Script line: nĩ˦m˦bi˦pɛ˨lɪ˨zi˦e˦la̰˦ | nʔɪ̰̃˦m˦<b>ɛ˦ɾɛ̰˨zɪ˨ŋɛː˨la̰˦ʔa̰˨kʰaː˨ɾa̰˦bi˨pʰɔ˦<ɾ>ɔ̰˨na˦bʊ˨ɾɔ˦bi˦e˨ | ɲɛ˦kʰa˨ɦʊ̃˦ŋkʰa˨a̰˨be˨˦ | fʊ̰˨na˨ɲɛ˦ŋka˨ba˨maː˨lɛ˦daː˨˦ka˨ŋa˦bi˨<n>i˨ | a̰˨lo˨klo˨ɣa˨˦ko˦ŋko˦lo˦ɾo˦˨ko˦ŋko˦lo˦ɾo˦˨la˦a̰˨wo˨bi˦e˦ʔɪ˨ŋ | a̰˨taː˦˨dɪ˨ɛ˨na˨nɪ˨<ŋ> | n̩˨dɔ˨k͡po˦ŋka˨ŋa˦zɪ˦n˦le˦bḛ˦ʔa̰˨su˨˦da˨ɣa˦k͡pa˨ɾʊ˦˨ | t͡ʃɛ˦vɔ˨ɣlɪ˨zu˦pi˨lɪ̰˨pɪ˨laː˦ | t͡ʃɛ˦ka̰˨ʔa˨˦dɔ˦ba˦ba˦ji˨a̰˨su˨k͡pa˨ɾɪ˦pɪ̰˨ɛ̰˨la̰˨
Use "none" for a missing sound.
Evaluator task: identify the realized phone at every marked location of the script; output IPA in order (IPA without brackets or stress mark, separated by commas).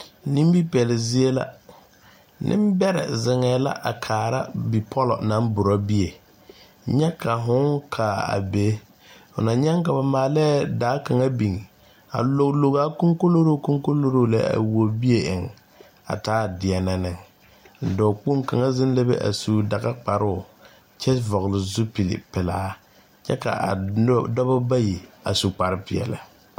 b, l, ŋ, ŋ